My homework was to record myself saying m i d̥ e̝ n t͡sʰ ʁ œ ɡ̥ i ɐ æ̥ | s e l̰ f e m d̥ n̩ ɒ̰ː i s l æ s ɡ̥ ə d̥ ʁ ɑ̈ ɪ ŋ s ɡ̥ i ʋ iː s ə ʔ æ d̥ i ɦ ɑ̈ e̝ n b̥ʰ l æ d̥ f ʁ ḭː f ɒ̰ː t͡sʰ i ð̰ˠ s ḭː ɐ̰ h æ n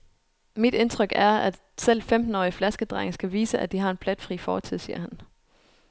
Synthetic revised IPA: m i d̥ e̝ n t͡sʰ ʁ œ ɡ̥ æ ɐ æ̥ | s e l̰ f e m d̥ n̩ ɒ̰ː i f l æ s ɡ̥ ə d̥ ʁ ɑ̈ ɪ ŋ s ɡ̥ æ ʋ iː s ə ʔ æ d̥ i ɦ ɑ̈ e̝ n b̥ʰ l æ d̥ f ʁ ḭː f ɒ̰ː t͡sʰ i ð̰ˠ s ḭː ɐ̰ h æ n